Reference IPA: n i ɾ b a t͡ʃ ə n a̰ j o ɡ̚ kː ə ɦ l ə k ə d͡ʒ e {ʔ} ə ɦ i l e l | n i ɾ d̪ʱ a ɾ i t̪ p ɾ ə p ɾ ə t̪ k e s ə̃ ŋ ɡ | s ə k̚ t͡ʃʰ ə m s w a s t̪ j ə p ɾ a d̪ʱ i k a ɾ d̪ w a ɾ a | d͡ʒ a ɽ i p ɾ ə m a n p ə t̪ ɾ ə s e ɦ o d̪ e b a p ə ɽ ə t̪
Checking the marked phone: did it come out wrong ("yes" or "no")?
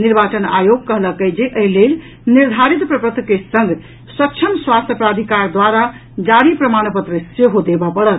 no